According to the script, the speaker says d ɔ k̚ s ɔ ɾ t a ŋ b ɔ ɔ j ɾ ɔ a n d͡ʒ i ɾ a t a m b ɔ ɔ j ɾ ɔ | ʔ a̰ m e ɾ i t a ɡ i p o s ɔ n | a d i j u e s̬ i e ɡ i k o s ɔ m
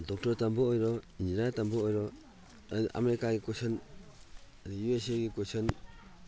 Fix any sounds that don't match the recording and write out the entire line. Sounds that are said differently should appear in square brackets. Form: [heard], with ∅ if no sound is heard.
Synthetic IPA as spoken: d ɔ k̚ [t] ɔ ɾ t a [m] b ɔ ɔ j ɾ ɔ [i] n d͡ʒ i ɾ a t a m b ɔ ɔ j ɾ ɔ | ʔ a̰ m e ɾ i [k] a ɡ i [k] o s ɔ n | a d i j u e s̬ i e ɡ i k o s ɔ [n]